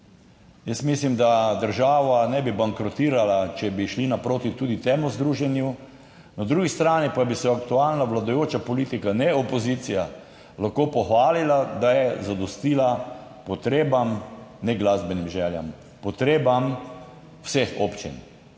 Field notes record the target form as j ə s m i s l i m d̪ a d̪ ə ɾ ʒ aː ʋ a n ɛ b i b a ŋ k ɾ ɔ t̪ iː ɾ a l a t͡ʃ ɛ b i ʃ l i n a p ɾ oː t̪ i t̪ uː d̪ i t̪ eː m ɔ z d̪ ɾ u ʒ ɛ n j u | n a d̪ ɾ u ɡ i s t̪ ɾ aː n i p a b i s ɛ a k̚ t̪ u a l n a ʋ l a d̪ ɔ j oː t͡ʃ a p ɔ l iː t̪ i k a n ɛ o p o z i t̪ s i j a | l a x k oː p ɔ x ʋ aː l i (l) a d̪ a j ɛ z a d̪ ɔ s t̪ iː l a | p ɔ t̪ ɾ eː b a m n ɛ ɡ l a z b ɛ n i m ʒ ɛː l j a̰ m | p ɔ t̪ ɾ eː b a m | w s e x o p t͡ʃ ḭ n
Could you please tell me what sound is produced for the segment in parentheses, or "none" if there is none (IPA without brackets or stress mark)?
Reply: l